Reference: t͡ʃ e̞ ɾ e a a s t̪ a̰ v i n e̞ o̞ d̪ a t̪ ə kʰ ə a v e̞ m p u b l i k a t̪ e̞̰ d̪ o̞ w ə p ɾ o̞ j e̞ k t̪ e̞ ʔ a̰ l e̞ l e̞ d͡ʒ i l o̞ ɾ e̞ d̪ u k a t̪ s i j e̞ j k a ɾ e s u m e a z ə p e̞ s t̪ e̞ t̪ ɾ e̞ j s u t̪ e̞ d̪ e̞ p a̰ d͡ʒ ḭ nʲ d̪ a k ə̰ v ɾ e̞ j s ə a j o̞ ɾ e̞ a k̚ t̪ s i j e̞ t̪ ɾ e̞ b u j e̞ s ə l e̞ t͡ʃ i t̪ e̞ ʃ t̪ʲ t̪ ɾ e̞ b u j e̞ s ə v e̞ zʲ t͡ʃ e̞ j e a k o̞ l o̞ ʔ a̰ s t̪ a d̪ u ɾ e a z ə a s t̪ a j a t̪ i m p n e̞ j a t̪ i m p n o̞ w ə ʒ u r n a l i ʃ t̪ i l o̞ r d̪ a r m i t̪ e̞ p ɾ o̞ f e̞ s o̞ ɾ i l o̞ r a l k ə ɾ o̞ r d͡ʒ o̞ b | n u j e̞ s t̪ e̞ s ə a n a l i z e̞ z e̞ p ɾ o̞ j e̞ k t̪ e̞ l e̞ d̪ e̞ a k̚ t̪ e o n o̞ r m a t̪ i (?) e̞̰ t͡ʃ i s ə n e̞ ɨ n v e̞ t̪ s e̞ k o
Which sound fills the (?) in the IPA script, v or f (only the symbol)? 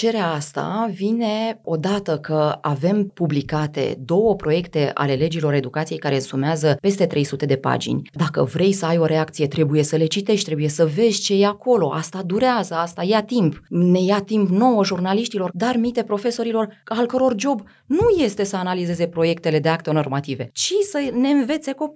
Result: v